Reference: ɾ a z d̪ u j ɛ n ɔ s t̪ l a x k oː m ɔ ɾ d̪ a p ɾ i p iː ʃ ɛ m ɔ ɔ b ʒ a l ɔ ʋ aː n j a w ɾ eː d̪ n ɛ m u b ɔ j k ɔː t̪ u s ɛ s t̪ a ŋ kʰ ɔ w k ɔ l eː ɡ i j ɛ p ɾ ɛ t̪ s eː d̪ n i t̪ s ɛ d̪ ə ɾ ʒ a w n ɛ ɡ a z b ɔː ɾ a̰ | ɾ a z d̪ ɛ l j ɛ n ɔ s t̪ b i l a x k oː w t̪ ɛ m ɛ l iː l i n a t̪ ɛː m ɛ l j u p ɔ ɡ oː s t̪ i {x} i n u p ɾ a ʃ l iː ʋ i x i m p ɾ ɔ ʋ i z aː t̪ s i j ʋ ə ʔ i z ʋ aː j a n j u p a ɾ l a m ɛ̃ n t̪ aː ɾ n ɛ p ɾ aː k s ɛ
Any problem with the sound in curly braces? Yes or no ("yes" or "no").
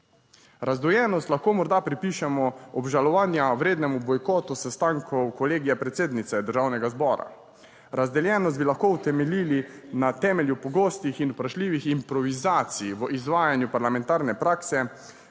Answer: no